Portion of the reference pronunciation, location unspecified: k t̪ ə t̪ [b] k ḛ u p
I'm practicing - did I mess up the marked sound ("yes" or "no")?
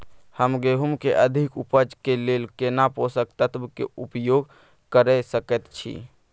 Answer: no